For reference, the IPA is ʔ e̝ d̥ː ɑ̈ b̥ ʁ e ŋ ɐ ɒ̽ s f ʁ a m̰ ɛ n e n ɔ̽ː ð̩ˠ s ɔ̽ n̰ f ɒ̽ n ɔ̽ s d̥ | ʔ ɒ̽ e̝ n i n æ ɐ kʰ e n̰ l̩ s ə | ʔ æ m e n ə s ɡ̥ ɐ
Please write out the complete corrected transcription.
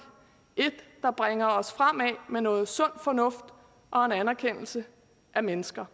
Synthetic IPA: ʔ e̝ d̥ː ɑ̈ b̥ ʁ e ŋ ɐ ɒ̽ s f ʁ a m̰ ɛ m e n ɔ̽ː ð̩ˠ s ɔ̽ n̰ f ɒ̽ n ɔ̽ f d̥ | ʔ ɒ̽ e̝ n æ n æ ɐ kʰ e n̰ l̩ s ə | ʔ æ m e n ə s ɡ̥ ɐ